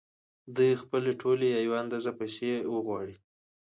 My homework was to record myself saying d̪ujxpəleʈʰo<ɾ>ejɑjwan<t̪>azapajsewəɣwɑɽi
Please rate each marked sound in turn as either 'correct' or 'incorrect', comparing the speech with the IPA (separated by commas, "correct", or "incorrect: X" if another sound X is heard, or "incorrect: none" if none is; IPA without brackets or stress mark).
incorrect: l, incorrect: d̪